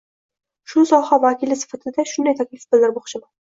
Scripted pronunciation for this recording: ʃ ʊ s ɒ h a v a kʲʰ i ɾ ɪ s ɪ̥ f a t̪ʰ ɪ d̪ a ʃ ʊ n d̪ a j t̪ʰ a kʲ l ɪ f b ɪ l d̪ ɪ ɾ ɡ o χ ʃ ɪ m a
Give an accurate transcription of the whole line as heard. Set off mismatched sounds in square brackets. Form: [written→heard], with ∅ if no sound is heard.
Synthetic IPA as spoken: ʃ ʊ s ɒ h a v a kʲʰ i [ɾ→l] ɪ s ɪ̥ f a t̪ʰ ɪ d̪ a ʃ ʊ n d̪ a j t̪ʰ a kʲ l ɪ f b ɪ l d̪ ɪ ɾ [ɡ→b] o χ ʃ ɪ m a